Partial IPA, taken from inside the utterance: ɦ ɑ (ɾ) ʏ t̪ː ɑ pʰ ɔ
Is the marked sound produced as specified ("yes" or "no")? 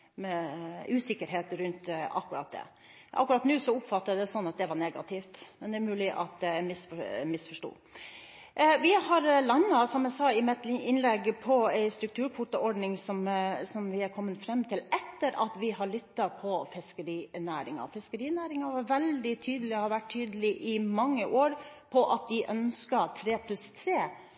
no